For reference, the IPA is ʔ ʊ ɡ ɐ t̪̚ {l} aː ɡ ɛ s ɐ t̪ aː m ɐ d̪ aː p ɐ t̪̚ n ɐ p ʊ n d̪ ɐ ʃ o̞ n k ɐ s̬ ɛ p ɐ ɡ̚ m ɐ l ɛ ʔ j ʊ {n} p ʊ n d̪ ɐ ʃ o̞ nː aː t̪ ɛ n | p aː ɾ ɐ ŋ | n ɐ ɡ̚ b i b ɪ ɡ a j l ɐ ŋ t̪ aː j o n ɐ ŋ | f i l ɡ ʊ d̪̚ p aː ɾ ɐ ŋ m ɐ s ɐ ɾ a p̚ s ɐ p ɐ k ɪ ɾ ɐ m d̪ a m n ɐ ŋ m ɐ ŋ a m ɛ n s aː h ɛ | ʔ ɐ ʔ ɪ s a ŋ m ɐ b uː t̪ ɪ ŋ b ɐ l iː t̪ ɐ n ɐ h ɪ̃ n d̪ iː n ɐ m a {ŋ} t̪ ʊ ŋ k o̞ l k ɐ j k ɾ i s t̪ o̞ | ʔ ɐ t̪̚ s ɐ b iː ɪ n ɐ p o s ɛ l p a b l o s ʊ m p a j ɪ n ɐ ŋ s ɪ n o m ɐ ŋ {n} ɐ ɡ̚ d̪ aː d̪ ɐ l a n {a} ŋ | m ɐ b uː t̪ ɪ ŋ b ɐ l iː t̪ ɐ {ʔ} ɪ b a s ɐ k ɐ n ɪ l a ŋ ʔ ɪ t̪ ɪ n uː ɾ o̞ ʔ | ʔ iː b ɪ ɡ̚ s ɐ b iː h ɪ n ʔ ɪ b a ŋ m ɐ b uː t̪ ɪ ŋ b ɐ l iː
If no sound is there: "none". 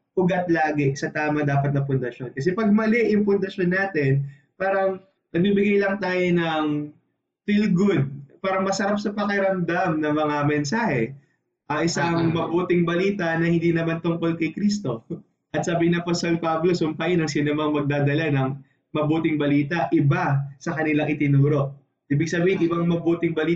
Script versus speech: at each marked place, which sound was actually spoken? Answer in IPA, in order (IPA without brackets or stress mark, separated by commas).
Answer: l, ŋ, n, m, ɐ, ʔ